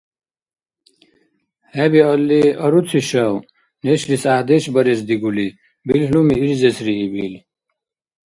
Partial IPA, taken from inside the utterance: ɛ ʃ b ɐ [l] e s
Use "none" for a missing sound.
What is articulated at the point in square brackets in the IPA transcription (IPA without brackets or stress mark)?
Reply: ɾ